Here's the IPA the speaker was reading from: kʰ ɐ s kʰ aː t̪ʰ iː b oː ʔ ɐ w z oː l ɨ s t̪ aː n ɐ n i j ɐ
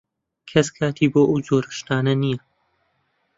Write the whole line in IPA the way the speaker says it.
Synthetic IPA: kʰ ɐ s kʰ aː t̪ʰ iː b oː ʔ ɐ w z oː ɾ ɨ ʃ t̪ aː n ɐ n i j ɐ